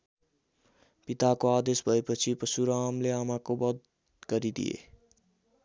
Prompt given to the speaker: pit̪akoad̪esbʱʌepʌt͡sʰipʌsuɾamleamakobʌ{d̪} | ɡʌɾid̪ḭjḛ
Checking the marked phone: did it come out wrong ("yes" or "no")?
no